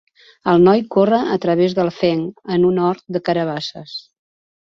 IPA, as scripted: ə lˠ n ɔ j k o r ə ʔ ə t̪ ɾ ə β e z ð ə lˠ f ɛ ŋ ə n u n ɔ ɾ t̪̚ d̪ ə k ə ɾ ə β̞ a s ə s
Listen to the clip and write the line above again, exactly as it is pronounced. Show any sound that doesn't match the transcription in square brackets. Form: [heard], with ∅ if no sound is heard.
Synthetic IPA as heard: ə lˠ n ɔ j k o r ə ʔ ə t̪ ɾ ə β e z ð ə lˠ f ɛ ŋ ə n u n ɔ ɾ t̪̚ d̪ ə k ə ɾ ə β̞ a s ə s